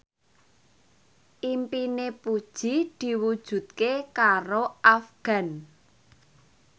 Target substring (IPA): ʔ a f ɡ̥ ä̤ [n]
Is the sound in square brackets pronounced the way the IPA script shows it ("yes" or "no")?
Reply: yes